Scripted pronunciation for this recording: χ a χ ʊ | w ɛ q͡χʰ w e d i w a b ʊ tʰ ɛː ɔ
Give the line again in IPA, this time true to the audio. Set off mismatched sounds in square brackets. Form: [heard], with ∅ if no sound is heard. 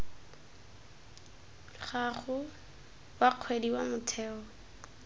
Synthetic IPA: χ a χ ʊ | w [a] q͡χʰ w e d i w a [m] ʊ tʰ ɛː ɔ